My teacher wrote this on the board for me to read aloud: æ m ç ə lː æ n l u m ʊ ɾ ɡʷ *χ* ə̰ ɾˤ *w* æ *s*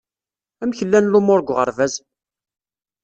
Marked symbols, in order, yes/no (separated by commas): no, no, no